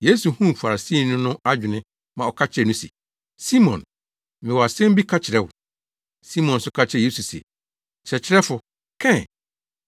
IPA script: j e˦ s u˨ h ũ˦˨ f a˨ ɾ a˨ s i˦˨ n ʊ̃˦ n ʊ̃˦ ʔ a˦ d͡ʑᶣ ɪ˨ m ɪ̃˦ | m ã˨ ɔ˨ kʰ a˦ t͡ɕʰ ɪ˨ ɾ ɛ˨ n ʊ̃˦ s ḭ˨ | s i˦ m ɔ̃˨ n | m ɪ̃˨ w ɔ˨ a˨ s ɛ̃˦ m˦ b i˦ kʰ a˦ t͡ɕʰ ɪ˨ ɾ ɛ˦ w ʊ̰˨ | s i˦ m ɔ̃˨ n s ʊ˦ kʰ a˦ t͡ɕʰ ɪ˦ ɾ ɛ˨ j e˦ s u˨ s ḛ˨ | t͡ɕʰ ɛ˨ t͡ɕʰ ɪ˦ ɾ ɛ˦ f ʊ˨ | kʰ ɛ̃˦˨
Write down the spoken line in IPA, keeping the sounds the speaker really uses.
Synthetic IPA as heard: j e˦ s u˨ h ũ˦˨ f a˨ ɾ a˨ s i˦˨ n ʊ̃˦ n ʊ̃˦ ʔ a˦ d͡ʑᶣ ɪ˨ n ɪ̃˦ | m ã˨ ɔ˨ kʰ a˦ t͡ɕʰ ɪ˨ ɾ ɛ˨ n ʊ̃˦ s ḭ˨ | s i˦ m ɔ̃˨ n | m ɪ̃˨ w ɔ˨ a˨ s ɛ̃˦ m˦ b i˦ kʰ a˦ t͡ɕʰ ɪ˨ ɾ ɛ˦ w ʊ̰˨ | s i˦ m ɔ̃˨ n s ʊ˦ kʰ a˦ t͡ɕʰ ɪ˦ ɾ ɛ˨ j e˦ s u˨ s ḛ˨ | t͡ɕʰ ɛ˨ t͡ɕʰ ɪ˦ ɾ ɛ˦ f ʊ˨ | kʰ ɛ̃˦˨